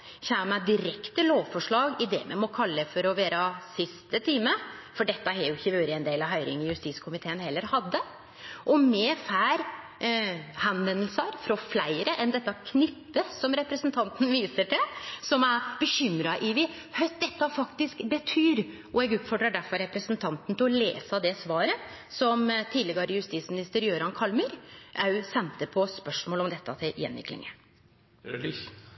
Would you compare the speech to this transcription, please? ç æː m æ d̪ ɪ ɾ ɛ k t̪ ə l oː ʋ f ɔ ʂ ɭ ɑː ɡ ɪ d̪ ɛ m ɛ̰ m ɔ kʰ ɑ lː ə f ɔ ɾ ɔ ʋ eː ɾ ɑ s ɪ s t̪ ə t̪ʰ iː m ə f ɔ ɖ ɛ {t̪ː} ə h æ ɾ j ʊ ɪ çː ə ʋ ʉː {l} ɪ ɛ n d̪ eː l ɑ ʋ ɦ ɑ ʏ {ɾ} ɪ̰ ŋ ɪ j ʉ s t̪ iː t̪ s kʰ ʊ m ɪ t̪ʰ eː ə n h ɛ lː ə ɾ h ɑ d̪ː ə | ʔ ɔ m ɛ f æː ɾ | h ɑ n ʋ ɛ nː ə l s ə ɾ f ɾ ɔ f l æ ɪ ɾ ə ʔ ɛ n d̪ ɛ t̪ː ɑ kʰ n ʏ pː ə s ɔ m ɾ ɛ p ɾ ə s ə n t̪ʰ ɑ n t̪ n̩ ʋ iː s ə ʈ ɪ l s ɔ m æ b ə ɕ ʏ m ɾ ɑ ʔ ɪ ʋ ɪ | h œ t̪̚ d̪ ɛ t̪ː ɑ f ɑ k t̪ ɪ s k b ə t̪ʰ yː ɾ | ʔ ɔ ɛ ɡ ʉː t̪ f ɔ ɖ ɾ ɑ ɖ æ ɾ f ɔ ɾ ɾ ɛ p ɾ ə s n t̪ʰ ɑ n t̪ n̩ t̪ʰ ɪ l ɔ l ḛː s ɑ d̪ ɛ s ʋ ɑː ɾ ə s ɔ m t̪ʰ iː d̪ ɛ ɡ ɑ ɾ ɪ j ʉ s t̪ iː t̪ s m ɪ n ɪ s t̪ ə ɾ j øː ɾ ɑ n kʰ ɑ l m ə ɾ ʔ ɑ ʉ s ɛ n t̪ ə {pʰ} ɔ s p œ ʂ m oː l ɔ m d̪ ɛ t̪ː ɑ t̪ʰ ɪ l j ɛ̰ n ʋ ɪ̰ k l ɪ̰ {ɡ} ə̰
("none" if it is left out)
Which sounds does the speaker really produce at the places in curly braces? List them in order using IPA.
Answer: t̪ː, ɾ, ɾ, pʰ, ŋ

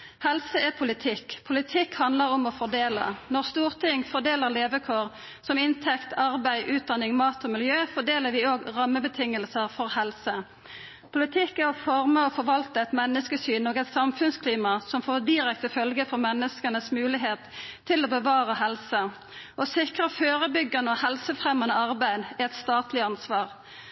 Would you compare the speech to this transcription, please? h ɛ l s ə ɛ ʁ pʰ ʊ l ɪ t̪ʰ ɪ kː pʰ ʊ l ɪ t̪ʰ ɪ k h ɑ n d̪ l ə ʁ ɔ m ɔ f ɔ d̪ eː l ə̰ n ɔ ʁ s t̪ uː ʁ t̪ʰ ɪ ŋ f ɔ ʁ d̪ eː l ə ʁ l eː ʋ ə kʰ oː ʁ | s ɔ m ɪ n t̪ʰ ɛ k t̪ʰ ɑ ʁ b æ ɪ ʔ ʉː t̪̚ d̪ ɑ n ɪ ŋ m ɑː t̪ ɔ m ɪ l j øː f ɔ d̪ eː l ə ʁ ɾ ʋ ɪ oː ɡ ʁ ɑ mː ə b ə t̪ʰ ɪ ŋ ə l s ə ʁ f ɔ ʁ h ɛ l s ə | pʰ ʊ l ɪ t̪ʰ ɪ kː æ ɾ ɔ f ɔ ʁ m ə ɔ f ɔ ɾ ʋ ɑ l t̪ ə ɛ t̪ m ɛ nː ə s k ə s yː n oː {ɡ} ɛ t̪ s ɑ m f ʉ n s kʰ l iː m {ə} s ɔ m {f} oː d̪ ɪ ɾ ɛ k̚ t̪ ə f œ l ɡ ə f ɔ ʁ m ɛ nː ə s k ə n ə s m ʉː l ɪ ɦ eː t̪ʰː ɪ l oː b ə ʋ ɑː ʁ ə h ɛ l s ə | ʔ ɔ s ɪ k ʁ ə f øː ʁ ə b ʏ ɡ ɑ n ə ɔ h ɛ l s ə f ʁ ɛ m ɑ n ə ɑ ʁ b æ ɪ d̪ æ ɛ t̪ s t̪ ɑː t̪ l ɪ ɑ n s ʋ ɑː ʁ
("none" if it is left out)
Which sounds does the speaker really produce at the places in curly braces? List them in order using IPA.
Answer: ɡ, ɑ, f

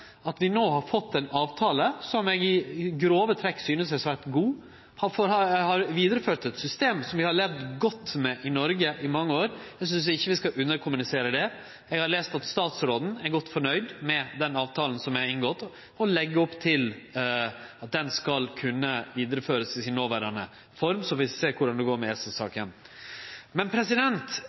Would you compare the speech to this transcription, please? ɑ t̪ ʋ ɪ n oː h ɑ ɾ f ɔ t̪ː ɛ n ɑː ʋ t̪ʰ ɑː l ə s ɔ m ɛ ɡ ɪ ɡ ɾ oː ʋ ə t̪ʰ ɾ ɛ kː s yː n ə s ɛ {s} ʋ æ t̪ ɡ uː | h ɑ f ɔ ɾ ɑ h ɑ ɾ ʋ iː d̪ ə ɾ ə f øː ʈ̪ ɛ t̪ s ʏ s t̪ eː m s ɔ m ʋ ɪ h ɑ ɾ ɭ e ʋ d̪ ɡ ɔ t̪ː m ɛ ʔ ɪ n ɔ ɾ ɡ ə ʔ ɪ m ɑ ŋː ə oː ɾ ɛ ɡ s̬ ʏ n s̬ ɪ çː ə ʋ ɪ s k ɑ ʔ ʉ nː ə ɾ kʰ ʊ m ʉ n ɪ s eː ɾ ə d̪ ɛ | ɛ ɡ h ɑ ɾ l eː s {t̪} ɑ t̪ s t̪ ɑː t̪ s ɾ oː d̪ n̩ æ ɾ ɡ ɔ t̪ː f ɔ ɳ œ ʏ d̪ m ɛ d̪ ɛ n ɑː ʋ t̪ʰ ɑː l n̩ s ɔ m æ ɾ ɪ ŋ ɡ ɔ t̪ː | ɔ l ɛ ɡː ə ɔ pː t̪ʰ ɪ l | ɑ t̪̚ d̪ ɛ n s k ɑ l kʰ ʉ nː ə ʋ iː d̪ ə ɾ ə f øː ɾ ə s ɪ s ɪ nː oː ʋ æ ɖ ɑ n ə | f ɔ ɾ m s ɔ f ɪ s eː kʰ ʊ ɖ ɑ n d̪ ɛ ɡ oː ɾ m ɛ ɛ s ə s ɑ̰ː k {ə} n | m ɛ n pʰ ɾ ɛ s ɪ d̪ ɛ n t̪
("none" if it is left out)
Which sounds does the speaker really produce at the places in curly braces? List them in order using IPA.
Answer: s, t̪, ə

